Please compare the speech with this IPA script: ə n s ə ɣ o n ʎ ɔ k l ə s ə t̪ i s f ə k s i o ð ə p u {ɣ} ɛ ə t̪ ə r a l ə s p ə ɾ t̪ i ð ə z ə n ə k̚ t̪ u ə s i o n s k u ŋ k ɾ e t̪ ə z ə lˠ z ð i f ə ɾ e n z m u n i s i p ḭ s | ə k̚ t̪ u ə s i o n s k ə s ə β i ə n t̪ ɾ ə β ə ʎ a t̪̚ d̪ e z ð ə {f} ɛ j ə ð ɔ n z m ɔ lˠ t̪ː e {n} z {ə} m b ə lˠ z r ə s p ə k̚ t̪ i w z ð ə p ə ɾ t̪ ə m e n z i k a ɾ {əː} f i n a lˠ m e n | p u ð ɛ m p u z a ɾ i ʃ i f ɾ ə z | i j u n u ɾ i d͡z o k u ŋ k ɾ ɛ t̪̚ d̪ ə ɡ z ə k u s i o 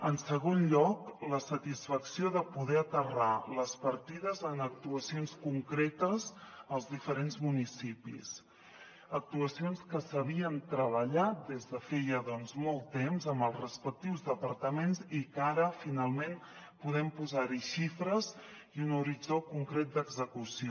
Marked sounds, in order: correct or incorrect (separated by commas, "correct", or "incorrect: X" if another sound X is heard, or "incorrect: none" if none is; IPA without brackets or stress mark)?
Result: incorrect: ð, correct, incorrect: m, correct, incorrect: ə